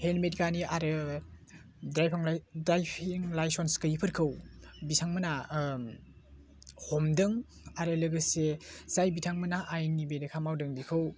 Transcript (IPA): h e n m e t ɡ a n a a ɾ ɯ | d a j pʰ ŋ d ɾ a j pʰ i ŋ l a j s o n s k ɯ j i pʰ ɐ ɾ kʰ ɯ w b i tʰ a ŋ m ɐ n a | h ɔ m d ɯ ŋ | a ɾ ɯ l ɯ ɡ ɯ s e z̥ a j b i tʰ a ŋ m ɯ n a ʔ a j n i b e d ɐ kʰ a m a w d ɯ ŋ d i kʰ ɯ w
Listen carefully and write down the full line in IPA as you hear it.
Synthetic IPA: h e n m e t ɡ a n i a ɾ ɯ | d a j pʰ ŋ d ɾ a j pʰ i ŋ l a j s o n s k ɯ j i pʰ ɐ ɾ kʰ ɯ w b i tʰ a ŋ m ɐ n a | h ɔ m d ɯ ŋ | a ɾ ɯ l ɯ ɡ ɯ s e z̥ a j b i tʰ a ŋ m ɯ n a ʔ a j n i b e d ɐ kʰ a m a w d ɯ ŋ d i kʰ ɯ w